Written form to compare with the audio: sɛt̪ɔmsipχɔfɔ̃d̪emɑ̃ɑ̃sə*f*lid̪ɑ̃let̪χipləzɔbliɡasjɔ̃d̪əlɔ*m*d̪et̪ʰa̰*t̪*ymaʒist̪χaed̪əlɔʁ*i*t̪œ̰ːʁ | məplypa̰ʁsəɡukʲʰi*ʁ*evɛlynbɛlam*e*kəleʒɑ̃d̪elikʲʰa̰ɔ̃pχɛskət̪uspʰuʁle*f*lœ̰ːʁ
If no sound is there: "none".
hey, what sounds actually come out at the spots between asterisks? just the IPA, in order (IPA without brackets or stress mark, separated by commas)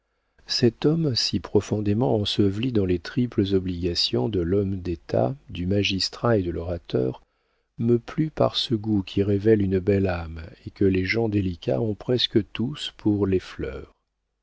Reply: v, m, d̪, a, ʁ, e, f